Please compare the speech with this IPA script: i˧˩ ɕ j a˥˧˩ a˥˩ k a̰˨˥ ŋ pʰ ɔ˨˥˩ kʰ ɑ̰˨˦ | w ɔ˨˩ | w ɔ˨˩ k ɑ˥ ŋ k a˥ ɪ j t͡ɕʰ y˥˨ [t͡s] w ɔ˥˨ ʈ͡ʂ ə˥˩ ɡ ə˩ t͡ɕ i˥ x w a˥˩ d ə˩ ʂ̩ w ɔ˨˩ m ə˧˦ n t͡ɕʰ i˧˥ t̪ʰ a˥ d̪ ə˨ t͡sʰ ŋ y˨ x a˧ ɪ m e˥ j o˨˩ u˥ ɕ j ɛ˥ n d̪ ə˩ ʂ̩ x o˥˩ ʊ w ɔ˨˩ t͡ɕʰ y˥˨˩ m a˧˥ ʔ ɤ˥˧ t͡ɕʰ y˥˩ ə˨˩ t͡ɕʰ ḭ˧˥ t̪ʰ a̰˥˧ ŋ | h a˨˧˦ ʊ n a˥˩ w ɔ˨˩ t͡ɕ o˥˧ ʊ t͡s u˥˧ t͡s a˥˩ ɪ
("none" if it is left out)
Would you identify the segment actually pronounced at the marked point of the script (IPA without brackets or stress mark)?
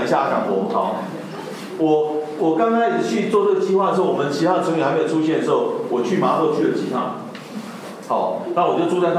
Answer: t͡s